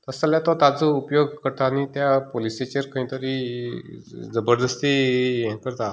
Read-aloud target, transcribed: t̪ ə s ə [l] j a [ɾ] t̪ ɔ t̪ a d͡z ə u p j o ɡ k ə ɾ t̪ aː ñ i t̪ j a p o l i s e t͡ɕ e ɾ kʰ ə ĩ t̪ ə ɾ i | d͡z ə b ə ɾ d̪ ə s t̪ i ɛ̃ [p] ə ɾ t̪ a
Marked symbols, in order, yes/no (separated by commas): yes, no, no